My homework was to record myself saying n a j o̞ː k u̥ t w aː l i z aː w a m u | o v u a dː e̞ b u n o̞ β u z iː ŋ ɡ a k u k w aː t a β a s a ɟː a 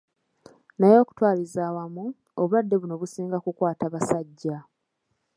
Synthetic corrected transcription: n a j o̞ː k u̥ t w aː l i z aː w a m u | o β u a dː e̞ β u n o̞ β u s iː ŋ ɡ a k u k w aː t a β a s a ɟː a